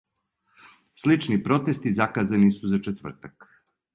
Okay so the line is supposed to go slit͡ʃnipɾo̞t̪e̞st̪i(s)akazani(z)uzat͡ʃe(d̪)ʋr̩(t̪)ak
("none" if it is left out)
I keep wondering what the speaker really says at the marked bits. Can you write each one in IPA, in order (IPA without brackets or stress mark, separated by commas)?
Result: z, s, t̪, t̪